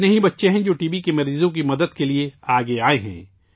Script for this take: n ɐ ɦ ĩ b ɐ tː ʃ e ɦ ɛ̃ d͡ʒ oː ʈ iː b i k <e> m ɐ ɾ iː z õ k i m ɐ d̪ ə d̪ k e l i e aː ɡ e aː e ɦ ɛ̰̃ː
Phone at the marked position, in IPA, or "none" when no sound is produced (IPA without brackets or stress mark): e